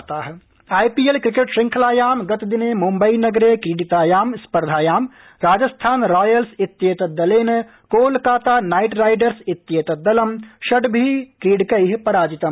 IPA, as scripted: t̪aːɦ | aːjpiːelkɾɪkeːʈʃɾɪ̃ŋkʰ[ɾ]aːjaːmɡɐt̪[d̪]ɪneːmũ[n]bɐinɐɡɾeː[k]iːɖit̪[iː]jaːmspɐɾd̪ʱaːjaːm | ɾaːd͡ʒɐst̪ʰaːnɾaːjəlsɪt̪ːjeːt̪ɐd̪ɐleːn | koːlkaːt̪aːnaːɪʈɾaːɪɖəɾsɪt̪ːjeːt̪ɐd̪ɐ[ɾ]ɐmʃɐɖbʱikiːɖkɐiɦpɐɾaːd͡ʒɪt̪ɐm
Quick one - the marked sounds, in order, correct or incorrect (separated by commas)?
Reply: incorrect, correct, incorrect, correct, incorrect, incorrect